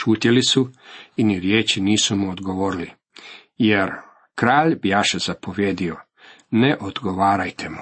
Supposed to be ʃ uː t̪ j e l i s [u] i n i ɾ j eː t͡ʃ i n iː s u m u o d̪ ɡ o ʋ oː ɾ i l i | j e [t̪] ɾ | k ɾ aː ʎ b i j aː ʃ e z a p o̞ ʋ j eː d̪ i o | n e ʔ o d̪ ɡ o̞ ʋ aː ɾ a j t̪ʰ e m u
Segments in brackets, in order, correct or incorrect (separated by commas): correct, incorrect